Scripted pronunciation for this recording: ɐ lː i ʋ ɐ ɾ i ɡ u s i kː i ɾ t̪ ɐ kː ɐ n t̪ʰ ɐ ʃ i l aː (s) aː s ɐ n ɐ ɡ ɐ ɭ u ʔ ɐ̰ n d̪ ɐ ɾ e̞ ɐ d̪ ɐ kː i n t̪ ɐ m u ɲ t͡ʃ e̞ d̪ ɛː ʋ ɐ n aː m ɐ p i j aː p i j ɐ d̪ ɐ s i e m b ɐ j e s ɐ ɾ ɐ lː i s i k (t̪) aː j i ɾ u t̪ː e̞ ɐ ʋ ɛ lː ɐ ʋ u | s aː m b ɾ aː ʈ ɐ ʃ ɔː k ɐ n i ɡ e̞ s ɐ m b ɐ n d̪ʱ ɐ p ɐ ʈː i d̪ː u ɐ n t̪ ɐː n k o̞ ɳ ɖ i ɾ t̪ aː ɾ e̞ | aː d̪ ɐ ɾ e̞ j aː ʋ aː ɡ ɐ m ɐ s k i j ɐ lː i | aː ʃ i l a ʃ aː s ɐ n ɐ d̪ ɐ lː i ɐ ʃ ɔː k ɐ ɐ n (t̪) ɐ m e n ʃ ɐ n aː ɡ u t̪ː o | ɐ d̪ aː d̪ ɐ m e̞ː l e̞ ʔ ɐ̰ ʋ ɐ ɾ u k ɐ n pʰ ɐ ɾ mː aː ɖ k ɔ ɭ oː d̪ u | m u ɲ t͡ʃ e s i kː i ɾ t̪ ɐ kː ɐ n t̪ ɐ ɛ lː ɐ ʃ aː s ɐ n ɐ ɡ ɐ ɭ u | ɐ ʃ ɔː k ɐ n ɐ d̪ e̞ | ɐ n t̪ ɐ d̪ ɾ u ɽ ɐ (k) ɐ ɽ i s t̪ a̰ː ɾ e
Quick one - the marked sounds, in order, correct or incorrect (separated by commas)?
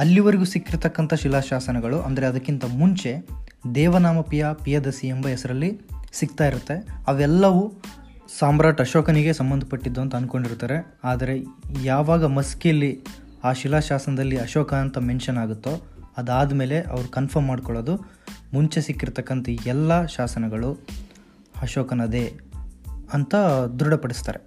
incorrect, correct, correct, incorrect